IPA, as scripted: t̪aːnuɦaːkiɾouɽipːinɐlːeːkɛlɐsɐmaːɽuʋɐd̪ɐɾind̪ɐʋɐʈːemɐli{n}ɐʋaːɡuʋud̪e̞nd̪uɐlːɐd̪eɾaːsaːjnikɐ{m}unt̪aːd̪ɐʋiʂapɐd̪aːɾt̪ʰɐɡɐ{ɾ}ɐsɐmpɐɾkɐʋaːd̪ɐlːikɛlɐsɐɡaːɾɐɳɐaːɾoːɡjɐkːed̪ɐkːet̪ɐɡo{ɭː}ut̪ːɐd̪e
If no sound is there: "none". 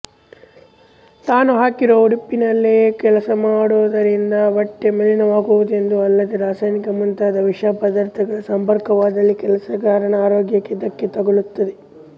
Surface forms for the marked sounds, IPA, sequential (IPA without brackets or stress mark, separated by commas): n, m, ɭ, ɭ